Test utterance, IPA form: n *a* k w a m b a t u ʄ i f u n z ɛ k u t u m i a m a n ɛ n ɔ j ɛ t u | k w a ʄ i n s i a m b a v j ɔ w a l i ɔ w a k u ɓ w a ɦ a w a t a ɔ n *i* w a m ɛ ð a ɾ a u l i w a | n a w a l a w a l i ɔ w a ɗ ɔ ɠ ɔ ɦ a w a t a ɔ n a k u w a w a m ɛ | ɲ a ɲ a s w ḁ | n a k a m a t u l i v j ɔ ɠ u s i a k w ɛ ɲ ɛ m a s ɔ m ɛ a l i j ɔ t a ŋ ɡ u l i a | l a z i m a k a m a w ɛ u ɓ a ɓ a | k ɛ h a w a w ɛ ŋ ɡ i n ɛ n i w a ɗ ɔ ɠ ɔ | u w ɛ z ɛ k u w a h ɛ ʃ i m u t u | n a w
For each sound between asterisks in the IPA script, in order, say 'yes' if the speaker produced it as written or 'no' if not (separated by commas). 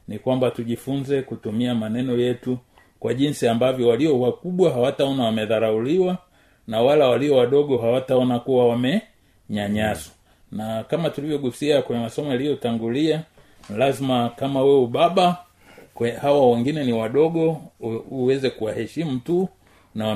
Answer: no, no